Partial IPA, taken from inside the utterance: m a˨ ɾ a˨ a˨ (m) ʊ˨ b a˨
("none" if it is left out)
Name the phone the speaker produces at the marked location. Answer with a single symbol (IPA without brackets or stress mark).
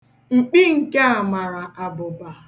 b